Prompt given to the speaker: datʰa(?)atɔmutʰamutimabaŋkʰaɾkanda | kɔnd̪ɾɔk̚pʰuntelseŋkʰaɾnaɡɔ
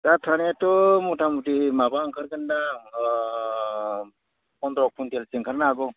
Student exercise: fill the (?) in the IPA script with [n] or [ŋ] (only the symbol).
n